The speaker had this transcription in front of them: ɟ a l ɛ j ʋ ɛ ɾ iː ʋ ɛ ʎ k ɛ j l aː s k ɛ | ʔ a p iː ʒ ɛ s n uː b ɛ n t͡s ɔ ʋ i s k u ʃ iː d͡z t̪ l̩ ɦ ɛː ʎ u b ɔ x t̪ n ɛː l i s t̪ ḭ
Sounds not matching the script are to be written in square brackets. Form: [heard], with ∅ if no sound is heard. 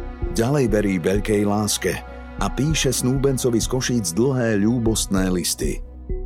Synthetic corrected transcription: ɟ a l ɛ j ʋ ɛ ɾ iː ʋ ɛ ʎ k ɛ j l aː s k ɛ | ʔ a p iː [ʃ] ɛ s n uː b ɛ n t͡s ɔ ʋ i s k [ɔ] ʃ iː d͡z [d̪] l̩ ɦ ɛː ʎ [uː] b ɔ [s] t̪ n ɛː l i s t̪ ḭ